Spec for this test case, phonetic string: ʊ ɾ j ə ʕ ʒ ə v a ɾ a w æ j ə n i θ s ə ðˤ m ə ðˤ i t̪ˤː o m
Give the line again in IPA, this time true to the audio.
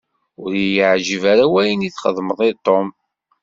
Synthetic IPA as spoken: ʊ ɾ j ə ʕ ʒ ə v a ɾ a w æ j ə n i θ χ ə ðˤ m ə ðˤ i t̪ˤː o m